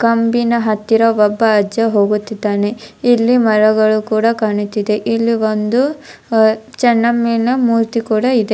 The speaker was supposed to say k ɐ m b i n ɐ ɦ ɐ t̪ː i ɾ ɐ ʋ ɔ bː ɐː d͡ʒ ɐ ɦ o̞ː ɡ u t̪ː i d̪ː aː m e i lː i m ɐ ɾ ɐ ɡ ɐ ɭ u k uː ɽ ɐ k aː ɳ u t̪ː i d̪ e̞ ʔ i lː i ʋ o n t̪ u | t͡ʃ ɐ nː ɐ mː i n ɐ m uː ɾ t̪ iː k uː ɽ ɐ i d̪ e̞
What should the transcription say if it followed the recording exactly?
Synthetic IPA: k ɐ m b i n ɐ ɦ ɐ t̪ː i ɾ ɐ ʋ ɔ bː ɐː d͡ʒ ɐ ɦ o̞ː ɡ u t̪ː i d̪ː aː n e i lː i m ɐ ɾ ɐ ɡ ɐ ɭ u k uː ɽ ɐ k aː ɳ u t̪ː i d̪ e̞ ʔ i lː i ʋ o n d̪ u | t͡ʃ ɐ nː ɐ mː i n ɐ m uː ɾ t̪ i k uː ɽ ɐ i d̪ e̞

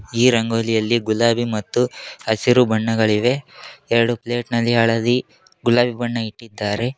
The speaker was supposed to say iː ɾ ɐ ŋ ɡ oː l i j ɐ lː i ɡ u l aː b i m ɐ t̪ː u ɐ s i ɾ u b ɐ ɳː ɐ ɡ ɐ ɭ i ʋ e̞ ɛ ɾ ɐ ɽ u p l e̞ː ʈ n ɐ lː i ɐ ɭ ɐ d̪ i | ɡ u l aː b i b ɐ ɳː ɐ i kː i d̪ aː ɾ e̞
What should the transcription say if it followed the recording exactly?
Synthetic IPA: iː ɾ ɐ ŋ ɡ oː l i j ɐ lː i ɡ u l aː b i m ɐ t̪ː u ɐ s i ɾ u b ɐ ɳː ɐ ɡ ɐ ɭ i ʋ e̞ ɛ ɾ ɐ ɽ u p l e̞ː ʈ n ɐ lː i ɐ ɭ ɐ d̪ i | ɡ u l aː b i b ɐ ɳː ɐ i ʈː i d̪ː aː ɾ e̞

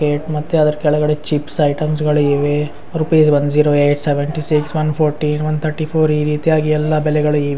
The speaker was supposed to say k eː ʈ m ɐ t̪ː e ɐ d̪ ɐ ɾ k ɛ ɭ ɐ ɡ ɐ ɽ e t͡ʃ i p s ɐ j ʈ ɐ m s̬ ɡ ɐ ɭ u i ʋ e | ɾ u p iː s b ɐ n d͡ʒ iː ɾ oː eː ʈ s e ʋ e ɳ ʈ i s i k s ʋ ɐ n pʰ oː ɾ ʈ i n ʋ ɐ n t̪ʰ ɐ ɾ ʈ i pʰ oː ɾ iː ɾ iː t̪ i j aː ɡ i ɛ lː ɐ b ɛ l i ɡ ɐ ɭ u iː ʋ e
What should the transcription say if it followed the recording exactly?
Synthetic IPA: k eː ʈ m ɐ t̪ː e ɐ d̪ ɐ ɾ k ɛ ɭ ɐ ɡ ɐ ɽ e t͡ʃ i p s ɐ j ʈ ɐ m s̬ ɡ ɐ ɭ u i ʋ e | ɾ u p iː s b ɐ n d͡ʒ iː ɾ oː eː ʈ s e ʋ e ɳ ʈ i s i k s ʋ ɐ n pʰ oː ɾ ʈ i n ʋ ɐ n t̪ʰ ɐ ɾ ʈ i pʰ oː ɾ iː ɾ iː t̪ i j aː ɡ i ɛ lː ɐ b ɛ l ɛ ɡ ɐ ɭ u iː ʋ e

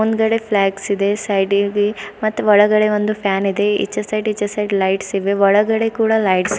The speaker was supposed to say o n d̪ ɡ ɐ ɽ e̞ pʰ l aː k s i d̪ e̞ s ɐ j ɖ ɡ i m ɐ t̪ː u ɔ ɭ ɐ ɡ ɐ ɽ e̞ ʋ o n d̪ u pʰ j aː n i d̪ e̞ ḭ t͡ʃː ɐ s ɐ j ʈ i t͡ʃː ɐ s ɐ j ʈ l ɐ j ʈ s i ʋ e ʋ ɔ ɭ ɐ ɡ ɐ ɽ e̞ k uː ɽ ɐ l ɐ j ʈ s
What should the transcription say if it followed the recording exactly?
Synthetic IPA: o n d̪ ɡ ɐ ɽ e̞ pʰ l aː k s i d̪ e̞ s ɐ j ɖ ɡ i m ɐ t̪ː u ɔ ɭ ɐ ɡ ɐ ɽ e̞ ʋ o n d̪ u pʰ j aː n i d̪ e̞ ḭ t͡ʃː ɐ s ɐ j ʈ i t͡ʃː ɐ s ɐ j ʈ l ɐ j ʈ s i ʋ e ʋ ɔ ɭ ɐ ɡ ɐ ɽ e̞ k uː ɽ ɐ l ɐ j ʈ s

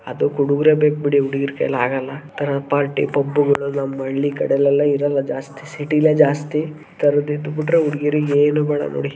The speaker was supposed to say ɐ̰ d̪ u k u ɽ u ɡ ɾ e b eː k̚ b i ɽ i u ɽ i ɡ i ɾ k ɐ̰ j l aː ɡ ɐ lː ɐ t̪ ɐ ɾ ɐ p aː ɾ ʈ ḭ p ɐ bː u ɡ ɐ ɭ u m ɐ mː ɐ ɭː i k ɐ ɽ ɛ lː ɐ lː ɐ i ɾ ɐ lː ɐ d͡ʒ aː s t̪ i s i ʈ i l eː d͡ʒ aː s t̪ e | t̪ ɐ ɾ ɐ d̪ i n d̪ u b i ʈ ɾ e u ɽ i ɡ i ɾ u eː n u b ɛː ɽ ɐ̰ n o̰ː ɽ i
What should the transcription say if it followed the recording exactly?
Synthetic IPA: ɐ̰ d̪ u k u ɽ u ɡ ɾ e b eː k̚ b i ɽ i u ɽ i ɡ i ɾ k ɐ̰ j l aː ɡ ɐ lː ɐ t̪ ɐ ɾ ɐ p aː ɾ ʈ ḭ p ɐ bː u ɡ ɐ ɭ u n ɐ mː ɐ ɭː i k ɐ ɽ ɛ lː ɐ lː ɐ i ɾ ɐ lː ɐ d͡ʒ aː s t̪ i s i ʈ i l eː d͡ʒ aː s t̪ i | t̪ ɐ ɾ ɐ d̪ i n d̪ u b i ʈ ɾ e u ɽ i ɡ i ɾ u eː n u b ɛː ɽ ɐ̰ n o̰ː ɽ i

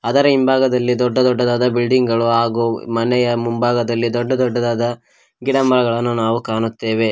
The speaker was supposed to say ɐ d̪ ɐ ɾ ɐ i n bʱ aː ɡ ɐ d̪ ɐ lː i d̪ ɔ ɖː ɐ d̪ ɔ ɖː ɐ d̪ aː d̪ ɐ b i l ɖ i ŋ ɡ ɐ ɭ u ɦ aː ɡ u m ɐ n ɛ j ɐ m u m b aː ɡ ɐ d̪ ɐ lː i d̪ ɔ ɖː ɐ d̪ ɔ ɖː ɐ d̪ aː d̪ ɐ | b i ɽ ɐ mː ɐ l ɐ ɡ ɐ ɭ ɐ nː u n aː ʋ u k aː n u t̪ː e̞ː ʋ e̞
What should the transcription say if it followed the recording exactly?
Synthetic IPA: ɐ d̪ ɐ ɾ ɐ i m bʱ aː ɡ ɐ d̪ ɐ lː i d̪ ɔ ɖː ɐ d̪ ɔ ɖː ɐ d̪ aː d̪ ɐ b i l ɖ i ŋ ɡ ɐ ɭ u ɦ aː ɡ u m ɐ n ɛ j ɐ m u m b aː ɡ ɐ d̪ ɐ lː i d̪ ɔ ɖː ɐ d̪ ɔ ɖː ɐ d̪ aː d̪ ɐ | ɡ i ɽ ɐ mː ɐ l ɐ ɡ ɐ ɭ ɐ nː u n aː ʋ u k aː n u t̪ː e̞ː ʋ e̞

